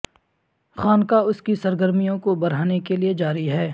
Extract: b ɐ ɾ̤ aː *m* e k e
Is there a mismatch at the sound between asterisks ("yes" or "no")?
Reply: yes